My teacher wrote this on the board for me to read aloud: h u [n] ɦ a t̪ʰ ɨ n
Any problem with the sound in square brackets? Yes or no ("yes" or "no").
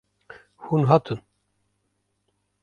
no